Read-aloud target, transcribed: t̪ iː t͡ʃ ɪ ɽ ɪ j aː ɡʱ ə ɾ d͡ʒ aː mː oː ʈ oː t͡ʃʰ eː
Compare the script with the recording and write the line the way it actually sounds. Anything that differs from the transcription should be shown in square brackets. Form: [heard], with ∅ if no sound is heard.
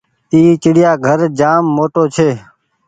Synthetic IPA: t̪ iː t͡ʃ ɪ ɽ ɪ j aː ɡʱ ə ɾ d͡ʒ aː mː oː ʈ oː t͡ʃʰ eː

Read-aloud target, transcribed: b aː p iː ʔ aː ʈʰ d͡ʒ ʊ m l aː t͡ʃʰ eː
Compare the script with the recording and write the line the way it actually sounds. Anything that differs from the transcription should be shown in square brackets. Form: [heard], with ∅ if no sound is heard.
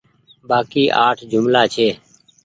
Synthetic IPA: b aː [k] iː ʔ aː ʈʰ d͡ʒ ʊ m l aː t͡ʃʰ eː

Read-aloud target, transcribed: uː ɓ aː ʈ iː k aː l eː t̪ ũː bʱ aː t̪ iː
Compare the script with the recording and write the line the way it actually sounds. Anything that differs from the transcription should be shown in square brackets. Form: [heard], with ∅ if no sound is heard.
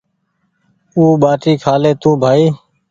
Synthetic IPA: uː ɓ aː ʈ iː [kʰ] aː l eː t̪ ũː bʱ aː [∅] iː

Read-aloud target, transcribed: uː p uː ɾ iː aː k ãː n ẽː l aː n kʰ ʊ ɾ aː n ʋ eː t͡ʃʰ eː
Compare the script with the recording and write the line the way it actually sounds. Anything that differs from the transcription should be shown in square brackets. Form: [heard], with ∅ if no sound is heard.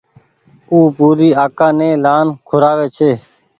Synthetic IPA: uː p uː ɾ iː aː k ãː n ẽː l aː n kʰ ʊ ɾ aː [∅] ʋ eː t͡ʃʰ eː

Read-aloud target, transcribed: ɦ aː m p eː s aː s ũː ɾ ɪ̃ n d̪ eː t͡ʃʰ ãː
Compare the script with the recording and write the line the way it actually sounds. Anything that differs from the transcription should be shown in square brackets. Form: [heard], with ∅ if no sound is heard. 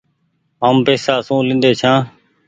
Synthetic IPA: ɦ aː m p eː s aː s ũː [l] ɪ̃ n d̪ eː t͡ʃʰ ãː

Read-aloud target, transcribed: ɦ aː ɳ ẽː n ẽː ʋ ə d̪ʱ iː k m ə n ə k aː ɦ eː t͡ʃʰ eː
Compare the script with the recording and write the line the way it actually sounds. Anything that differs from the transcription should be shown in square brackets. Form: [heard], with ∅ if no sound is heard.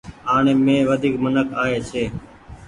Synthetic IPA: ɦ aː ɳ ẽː [m] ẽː ʋ ə d̪ʱ iː k m ə n ə k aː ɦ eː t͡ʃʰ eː

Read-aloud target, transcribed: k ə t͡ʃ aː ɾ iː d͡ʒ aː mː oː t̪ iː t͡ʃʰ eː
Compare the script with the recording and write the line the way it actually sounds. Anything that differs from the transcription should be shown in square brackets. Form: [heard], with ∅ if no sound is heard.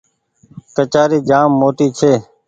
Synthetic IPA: k ə t͡ʃ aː ɾ iː d͡ʒ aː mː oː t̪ iː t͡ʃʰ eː

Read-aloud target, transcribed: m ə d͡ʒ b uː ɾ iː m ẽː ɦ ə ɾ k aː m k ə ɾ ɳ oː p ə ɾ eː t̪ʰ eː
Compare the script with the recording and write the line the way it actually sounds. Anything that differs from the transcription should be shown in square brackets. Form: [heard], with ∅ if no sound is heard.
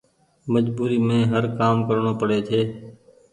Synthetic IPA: m ə d͡ʒ b uː ɾ iː m ẽː ɦ ə ɾ k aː m k ə ɾ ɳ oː p ə [ɽ] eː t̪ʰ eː

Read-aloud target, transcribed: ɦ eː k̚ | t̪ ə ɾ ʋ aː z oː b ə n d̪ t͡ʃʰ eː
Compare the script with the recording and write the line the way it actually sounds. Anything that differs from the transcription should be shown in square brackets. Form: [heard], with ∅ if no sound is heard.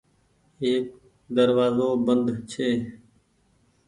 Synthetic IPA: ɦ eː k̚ | [d̪] ə ɾ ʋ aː z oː b ə n d̪ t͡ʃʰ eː

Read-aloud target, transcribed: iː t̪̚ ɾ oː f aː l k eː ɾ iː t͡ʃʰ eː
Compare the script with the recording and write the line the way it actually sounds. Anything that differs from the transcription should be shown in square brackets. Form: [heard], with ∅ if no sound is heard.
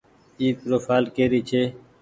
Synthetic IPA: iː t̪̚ ɾ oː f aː l k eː ɾ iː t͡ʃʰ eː

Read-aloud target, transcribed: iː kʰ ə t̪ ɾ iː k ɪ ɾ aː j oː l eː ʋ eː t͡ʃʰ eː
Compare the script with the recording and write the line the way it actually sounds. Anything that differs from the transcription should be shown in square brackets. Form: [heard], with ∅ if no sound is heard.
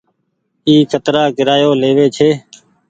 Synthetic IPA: iː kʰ ə t̪ ɾ [aː] k ɪ ɾ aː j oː l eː ʋ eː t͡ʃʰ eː

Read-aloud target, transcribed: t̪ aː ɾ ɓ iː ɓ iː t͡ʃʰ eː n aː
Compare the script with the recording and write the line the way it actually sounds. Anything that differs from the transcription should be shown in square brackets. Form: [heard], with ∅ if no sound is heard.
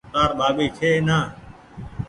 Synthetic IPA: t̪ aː ɾ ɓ [aː] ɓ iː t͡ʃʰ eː n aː

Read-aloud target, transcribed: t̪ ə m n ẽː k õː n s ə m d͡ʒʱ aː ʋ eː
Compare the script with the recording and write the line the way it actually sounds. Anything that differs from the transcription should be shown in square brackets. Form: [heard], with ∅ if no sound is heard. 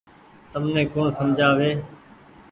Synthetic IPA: t̪ ə m n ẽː k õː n s ə m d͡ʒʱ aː ʋ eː

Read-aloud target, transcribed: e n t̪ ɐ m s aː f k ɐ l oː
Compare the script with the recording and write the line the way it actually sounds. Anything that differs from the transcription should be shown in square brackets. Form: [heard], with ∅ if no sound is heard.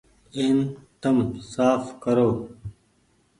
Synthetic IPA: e n t̪ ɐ m s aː f k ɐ [ɾ] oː

